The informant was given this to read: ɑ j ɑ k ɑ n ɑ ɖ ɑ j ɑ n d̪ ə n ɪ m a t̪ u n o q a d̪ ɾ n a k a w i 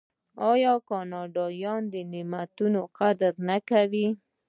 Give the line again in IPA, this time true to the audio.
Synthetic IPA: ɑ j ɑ k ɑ n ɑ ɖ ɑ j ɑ n d̪ ə n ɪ m a t̪ u n o q a d̪ ɾ n a k a w i